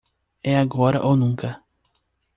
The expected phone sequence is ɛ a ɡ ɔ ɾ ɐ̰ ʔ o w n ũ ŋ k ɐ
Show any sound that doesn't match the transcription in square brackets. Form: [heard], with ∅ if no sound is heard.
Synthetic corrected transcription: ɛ a ɡ ɔ ɾ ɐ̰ ʔ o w n ũ ŋ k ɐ